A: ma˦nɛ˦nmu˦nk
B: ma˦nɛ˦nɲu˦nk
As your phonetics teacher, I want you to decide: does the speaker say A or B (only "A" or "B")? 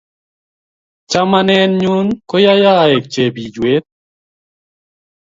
B